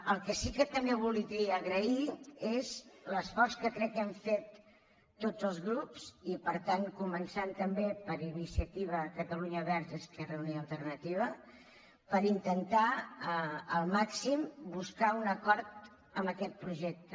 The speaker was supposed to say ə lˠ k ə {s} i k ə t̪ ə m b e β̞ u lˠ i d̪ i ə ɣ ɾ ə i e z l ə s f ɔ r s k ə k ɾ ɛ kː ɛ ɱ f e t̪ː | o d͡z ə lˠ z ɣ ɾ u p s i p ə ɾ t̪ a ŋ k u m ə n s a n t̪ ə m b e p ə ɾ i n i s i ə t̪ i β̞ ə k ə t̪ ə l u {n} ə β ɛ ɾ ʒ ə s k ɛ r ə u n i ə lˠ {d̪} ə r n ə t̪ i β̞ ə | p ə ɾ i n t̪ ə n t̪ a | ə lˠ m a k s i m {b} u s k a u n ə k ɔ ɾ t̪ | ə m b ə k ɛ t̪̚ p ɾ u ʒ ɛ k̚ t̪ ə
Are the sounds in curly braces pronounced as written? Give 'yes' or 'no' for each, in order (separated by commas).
yes, no, no, yes